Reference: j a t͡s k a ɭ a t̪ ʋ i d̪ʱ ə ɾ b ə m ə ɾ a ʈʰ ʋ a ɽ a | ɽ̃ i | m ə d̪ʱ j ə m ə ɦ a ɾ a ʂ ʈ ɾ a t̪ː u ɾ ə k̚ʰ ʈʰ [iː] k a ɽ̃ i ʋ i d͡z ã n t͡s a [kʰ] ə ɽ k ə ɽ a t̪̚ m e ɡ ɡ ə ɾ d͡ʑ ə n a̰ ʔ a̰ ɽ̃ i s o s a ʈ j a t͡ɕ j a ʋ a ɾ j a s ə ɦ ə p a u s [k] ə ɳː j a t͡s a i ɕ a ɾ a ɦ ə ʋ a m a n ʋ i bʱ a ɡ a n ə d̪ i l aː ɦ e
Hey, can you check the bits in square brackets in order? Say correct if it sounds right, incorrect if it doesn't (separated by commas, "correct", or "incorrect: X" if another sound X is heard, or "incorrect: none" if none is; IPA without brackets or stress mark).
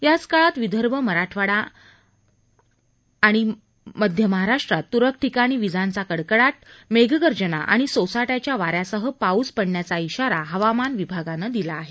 incorrect: i, incorrect: k, incorrect: p